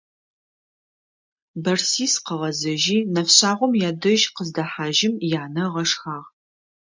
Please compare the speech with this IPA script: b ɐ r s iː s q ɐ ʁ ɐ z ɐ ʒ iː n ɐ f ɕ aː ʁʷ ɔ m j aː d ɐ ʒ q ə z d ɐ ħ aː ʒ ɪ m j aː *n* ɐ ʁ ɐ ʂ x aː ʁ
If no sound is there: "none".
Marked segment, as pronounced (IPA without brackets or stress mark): n